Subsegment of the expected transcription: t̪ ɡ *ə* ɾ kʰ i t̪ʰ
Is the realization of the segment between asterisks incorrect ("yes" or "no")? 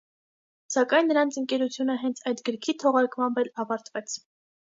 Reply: no